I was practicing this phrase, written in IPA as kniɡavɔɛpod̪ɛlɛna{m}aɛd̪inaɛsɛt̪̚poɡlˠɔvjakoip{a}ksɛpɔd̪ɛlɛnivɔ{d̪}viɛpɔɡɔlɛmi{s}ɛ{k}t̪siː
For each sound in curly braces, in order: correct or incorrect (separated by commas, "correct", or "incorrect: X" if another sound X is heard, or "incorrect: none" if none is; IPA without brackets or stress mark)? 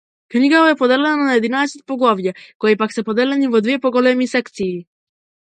incorrect: n, correct, correct, correct, correct